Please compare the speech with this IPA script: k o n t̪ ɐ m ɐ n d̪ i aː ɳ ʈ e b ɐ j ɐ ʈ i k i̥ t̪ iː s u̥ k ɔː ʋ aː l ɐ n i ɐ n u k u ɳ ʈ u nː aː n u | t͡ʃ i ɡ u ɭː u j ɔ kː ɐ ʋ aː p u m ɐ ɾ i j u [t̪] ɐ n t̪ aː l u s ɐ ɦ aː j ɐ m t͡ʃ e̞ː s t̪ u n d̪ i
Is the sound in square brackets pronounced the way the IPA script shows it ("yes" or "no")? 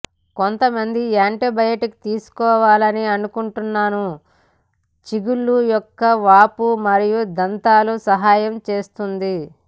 no